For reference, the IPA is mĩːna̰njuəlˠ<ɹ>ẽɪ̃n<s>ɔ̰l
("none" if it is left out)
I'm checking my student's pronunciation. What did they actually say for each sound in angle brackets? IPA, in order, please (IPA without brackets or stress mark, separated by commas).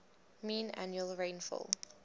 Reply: ɹ, f